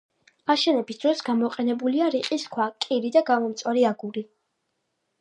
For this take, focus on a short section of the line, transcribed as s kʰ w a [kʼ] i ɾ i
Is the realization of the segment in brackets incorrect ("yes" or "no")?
no